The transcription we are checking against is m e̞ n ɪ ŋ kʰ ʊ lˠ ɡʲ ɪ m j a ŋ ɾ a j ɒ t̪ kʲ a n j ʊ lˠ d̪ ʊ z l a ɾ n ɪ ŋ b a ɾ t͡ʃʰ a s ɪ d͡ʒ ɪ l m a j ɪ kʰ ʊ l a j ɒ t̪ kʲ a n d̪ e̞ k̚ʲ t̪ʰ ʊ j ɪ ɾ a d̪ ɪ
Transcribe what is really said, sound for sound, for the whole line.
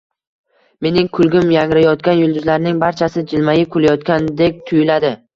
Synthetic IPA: m e̞ n ɪ ŋ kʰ ʊ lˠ ɡʲ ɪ m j a ŋ ɾ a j ɒ t̪ kʲ a n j ʊ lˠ d̪ ʊ z l a ɾ n ɪ ŋ b a ɾ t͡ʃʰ a s ɪ d͡ʒ ɪ l m a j ɪ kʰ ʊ l a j ɒ t̪ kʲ a n d̪ e̞ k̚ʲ t̪ʰ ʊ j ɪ l a d̪ ɪ

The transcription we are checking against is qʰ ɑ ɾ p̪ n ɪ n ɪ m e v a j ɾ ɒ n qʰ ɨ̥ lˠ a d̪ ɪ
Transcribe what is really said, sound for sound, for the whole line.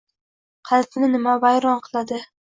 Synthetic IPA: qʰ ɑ l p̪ n ɪ n ɪ m a v a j ɾ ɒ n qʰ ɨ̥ lˠ a d̪ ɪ

